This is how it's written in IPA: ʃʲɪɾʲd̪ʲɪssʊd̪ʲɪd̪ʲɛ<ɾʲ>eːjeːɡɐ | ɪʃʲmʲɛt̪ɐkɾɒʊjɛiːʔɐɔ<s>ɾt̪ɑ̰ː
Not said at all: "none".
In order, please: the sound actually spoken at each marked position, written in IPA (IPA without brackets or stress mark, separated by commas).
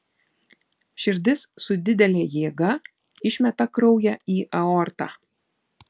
lʲ, none